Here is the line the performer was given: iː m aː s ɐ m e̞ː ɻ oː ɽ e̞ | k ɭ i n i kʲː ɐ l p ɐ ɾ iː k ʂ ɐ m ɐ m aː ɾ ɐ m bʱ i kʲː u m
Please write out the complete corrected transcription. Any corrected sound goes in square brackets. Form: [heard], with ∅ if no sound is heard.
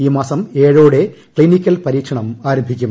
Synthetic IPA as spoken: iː m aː s ɐ m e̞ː ɻ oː ɽ e̞ | k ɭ i n i kʲː ɐ l p ɐ ɾ iː k ʂ ɐ [ɳ] ɐ m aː ɾ ɐ m bʱ i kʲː u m